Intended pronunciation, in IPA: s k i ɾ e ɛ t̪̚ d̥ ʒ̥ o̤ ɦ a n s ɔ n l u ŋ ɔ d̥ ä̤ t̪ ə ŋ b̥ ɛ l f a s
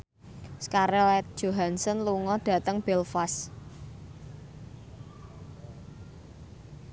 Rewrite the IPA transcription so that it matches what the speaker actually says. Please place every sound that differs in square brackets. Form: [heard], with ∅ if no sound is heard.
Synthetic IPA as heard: s k [a] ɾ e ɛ t̪̚ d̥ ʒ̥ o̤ ɦ a n s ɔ n l u ŋ ɔ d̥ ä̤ t̪ ə ŋ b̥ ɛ l f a s